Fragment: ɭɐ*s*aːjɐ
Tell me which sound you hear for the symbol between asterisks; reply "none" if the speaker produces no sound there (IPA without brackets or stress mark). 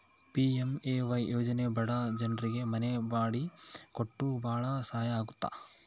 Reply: s